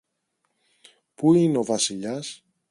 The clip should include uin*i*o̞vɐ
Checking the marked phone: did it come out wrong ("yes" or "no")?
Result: yes